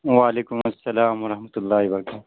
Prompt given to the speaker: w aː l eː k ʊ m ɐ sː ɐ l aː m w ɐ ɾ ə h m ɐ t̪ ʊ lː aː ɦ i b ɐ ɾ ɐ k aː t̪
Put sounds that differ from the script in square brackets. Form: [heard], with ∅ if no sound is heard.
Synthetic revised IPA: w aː l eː k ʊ m ɐ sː ɐ l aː m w ɐ ɾ [ɐ] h m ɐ t̪ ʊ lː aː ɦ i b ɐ ɾ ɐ k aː t̪